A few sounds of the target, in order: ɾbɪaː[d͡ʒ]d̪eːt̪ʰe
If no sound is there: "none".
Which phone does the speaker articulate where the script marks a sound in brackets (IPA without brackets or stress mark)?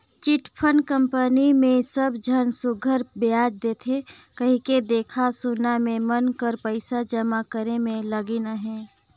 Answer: d͡ʒ